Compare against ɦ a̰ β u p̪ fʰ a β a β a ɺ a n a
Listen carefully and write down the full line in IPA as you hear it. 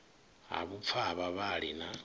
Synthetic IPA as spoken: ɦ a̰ β u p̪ fʰ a β a β a ɺ i n a